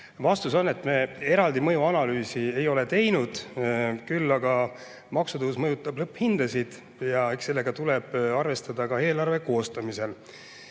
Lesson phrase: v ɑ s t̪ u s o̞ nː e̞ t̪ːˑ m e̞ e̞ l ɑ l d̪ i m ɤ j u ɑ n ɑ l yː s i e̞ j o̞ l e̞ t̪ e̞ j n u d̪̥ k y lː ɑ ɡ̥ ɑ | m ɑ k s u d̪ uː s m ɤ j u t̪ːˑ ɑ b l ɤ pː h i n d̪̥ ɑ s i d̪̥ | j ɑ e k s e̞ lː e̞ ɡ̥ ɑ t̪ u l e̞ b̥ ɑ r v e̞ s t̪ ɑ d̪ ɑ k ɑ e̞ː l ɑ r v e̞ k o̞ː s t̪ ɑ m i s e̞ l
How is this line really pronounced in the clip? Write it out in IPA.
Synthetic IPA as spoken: v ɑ s t̪ u s o̞ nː e̞ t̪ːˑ m e̞ e̞ ɾ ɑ l d̪ i m ɤ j u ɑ n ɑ l yː s i e̞ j o̞ l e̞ t̪ e̞ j n u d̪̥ k y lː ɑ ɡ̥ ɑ | m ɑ k s u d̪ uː s m ɤ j u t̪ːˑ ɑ b l ɤ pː h i n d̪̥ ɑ s i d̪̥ | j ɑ e k s e̞ lː e̞ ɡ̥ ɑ t̪ u l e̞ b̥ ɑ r v e̞ s t̪ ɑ d̪ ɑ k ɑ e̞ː l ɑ r v e̞ k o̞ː s t̪ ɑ m i s e̞ l